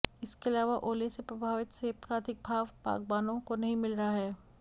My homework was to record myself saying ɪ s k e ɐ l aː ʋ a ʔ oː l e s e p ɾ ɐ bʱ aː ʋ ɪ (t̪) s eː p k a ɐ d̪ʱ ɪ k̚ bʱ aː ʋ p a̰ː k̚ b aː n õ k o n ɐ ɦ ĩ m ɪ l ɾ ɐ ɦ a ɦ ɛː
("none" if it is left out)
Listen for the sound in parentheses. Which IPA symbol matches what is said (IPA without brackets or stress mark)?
t̪